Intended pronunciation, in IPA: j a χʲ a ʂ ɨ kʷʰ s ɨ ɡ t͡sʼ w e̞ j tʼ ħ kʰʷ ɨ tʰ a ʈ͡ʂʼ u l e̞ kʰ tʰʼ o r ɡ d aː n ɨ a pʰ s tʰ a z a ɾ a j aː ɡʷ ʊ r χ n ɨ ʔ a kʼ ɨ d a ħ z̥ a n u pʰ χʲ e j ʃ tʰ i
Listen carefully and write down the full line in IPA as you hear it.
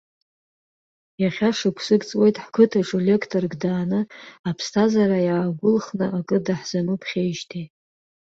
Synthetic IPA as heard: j a χʲ a ʂ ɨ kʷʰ s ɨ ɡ t͡sʼ w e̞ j tʼ ħ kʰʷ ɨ tʰ a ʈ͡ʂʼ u l e̞ kʰ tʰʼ o r ɡ d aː n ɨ a pʰ s tʰ a z a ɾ a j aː ɡʷ ʊ l χ n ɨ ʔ a kʼ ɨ d a ħ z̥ a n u pʰ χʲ e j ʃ tʰ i